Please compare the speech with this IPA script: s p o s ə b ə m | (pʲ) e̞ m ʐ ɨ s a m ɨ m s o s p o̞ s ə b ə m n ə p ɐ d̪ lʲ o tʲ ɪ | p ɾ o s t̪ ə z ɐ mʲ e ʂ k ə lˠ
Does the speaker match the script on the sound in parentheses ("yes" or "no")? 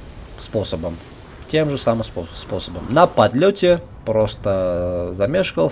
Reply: no